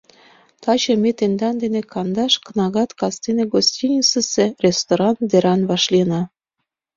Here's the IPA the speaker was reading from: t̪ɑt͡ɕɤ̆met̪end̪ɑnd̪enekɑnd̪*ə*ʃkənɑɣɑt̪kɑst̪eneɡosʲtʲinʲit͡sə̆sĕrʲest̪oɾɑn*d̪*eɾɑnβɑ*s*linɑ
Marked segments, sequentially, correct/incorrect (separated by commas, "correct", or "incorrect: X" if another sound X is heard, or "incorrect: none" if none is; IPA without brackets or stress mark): incorrect: ɑ, correct, incorrect: ʃ